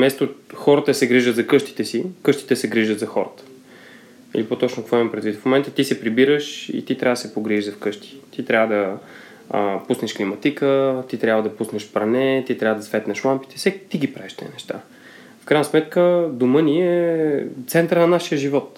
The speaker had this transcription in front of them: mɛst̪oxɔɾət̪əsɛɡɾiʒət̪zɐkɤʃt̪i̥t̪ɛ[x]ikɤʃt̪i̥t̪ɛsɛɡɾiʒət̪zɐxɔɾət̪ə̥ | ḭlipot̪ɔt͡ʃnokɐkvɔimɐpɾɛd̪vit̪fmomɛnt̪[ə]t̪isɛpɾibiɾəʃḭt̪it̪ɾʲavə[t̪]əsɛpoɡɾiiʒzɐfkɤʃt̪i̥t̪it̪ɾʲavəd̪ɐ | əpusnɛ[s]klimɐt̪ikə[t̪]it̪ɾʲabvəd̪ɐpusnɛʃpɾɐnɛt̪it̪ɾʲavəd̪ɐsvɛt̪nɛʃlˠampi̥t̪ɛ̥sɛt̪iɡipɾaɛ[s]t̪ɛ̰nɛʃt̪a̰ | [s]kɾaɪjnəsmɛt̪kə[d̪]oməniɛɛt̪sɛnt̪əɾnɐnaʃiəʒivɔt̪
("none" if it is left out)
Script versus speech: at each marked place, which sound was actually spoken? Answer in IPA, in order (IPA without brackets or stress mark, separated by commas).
s, ə, d̪, ʃ, t̪, ʃ, f, d̪